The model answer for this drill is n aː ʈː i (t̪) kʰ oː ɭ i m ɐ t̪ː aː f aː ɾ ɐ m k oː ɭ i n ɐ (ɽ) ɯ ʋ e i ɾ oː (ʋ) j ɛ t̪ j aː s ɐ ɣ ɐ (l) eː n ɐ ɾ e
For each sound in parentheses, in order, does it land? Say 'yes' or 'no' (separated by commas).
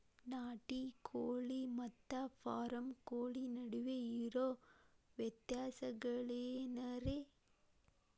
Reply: no, yes, yes, no